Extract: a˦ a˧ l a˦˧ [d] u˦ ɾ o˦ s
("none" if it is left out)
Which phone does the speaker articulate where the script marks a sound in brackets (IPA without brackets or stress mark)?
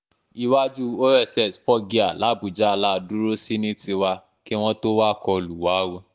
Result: d